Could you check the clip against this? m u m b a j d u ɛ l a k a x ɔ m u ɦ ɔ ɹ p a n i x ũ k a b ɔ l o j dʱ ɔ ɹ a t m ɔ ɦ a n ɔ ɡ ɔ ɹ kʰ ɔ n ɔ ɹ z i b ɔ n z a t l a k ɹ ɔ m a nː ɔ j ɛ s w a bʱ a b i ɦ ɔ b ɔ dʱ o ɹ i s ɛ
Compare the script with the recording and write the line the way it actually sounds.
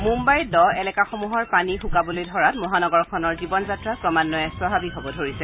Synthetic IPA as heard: m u m b a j d ɔ ɛ l ɛ k a x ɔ m u ɦ ɔ ɹ p a n i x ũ k a b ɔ l o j dʱ ɔ ɹ a t m ɔ ɦ a n ɔ ɡ ɔ ɹ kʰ ɔ n ɔ ɹ z i b ɔ n z a t ɹ a k ɹ ɔ m a nː ɔ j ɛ s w a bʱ a b i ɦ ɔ b ɔ dʱ o ɹ i s ɛ

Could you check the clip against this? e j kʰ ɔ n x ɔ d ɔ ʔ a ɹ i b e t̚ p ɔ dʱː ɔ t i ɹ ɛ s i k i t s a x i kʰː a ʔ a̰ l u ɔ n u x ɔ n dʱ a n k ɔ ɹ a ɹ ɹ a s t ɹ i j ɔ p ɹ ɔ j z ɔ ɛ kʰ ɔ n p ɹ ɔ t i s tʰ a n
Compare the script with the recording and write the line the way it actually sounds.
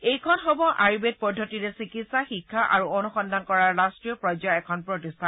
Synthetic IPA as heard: e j kʰ ɔ n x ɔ b ɔ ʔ a ɹ i b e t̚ p ɔ dʱː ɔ t i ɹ ɛ s i k i t s a x i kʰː a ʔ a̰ ɹ u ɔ n u x ɔ n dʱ a n k ɔ ɹ a ɹ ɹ a s t ɹ i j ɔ p ɹ ɔ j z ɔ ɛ kʰ ɔ n p ɹ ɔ t i s tʰ a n

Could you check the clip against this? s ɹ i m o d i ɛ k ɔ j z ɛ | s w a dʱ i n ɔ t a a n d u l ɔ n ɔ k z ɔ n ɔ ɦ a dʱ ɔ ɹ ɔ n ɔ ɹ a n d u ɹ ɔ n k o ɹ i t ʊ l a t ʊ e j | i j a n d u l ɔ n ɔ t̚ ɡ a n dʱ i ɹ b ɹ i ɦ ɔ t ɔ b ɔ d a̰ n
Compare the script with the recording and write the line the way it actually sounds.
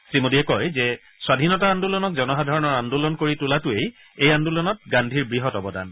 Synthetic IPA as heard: s ɹ i m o d i ɛ k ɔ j z ɛ | s w a dʱ i n ɔ t a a n d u l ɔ n ɔ k z ɔ n ɔ ɦ a dʱ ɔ ɹ ɔ n ɔ ɹ a n d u l ɔ n k o ɹ i t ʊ l a t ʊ e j | e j a n d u l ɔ n ɔ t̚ ɡ a n dʱ i ɹ b ɹ i ɦ ɔ t ɔ b ɔ d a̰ n

